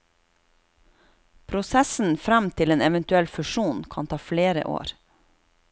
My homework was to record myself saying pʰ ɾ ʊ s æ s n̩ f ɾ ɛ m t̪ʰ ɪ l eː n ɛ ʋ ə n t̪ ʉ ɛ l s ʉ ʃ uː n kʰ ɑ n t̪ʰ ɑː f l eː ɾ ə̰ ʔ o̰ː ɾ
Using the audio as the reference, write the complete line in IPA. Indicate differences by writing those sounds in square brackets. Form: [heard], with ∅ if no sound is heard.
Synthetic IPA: pʰ ɾ ʊ s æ s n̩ f ɾ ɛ m t̪ʰ ɪ l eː n ɛ ʋ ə n t̪ ʉ ɛ l [f] ʉ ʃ uː n kʰ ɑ n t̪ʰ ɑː f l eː ɾ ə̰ ʔ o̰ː ɾ